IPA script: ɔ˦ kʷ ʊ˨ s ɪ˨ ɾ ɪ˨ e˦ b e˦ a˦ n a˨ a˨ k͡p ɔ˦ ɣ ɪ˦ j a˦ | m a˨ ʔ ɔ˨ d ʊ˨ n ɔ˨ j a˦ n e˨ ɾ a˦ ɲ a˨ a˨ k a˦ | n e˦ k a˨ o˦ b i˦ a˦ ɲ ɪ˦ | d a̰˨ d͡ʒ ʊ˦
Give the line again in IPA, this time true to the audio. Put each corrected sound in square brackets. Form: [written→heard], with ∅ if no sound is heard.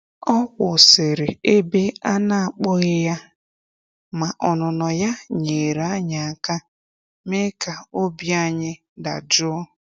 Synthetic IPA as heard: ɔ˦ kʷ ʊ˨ s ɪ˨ ɾ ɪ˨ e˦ b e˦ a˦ n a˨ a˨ k͡p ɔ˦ ɣ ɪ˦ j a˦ | m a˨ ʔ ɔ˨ [d→n] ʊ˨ n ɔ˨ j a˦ [n→ɲ] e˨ ɾ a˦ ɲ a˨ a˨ k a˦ | [n→m] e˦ k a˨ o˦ b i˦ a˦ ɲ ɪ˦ | d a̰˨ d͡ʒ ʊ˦